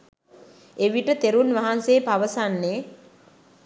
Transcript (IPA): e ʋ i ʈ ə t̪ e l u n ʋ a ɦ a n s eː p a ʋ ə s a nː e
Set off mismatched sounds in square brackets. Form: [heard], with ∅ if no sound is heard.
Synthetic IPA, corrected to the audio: e ʋ i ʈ ə t̪ e [ɾ] u n ʋ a ɦ a n s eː p a ʋ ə s a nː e